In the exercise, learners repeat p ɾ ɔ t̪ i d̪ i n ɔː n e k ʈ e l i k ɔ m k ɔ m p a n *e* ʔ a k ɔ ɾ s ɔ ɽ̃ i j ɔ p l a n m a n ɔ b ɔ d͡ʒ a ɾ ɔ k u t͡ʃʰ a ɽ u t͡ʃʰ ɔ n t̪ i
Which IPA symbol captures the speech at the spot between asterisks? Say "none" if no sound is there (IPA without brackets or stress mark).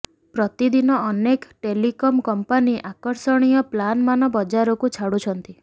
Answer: i